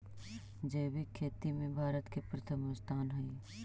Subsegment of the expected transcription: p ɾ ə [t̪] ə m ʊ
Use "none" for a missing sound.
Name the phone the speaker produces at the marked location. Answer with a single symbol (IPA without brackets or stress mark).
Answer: t̪ʰ